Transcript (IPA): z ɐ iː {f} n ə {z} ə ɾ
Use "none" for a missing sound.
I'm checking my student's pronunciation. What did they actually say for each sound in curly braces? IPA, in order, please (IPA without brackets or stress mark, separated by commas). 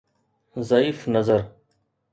f, z